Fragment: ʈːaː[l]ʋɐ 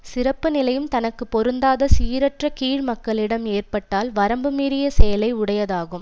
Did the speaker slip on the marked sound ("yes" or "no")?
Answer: no